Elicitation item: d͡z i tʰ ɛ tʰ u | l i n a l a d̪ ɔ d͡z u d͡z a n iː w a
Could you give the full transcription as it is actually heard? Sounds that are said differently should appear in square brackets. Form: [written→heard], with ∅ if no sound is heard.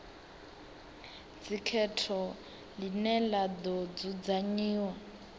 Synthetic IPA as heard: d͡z i [tʰ→kʰ] ɛ tʰ [u→ɔ] | l i n [a→ɛ] l a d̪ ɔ d͡z u d͡z a [n→ɲ] iː w a